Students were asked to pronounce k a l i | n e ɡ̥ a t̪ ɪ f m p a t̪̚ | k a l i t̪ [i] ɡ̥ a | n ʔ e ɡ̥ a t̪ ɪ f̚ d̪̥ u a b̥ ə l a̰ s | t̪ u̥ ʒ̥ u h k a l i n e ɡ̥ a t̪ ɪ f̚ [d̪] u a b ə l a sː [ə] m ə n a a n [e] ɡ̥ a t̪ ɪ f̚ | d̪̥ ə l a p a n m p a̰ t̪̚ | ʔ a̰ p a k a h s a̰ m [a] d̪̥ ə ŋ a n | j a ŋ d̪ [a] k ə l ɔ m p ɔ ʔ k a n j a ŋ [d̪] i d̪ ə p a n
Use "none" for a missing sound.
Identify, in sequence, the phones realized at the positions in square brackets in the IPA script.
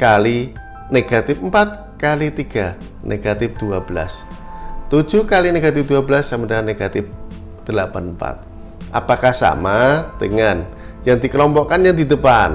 i, d̪, a, e, a, i, d̪

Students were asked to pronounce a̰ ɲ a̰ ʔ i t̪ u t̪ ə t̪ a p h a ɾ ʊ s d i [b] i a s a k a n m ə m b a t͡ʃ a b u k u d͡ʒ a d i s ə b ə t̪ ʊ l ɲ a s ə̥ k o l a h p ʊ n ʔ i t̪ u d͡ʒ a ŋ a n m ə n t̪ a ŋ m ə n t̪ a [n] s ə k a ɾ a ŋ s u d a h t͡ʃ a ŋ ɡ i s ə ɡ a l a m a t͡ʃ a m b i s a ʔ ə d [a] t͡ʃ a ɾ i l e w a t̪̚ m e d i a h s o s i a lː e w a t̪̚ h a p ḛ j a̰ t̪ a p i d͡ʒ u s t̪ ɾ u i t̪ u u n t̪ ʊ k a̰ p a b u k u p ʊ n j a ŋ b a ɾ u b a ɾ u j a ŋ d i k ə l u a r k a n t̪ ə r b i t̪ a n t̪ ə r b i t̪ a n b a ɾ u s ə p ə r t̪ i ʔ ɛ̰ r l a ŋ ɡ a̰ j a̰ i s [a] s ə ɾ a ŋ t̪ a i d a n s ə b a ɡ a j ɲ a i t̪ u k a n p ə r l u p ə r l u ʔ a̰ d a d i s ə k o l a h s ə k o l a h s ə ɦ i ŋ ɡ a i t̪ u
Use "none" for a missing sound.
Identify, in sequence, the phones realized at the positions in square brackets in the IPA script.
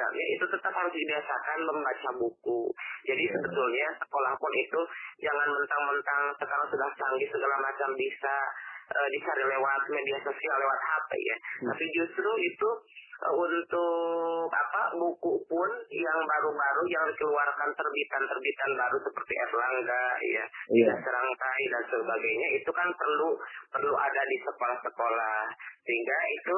b, ŋ, i, a

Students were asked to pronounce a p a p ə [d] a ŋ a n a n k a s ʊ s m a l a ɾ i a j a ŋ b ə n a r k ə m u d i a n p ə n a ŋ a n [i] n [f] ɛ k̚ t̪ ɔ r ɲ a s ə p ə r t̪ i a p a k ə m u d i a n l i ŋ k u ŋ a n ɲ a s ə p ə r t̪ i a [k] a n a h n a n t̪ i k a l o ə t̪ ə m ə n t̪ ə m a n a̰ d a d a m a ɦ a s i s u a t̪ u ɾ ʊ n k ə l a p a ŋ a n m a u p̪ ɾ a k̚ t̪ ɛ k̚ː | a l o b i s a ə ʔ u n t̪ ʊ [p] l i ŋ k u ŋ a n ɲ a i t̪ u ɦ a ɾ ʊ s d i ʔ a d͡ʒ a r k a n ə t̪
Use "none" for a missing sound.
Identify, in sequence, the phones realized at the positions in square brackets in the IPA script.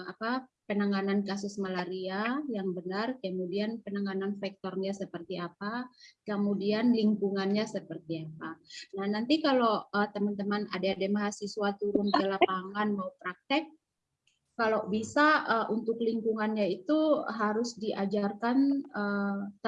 n, a, f, p, k

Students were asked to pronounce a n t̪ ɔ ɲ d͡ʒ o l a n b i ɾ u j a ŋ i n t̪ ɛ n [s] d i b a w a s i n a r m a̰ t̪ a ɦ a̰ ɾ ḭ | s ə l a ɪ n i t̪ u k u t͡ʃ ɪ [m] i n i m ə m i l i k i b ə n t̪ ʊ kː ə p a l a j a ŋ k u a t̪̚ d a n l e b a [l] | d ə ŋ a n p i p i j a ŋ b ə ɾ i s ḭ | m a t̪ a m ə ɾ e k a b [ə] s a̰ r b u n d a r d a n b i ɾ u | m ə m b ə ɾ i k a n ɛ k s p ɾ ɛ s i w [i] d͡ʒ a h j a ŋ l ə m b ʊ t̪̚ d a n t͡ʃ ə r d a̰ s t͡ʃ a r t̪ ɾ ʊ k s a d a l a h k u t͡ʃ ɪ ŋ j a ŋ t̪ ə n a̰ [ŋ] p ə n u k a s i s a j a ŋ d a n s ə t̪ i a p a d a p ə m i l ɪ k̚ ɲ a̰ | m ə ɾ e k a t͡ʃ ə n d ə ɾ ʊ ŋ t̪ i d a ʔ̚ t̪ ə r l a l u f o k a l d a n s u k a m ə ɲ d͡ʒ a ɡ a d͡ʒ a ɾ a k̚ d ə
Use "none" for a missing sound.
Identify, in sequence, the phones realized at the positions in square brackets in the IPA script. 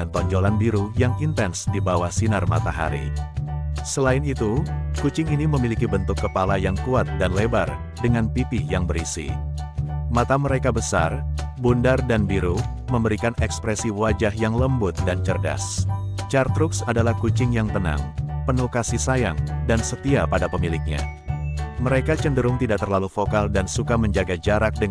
s, ŋ, r, ə, a, ŋ

